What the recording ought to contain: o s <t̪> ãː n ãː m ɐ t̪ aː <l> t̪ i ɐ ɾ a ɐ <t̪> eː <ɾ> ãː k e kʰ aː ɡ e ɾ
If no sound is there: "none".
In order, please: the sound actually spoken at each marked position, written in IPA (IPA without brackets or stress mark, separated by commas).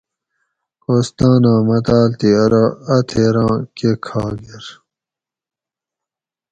t̪, l, t̪ʰ, ɾ